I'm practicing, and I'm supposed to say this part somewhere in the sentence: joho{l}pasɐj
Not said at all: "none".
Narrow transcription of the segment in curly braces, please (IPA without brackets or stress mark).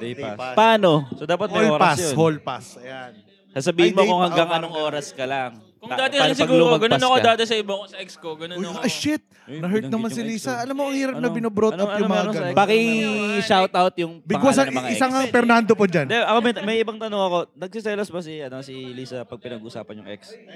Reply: l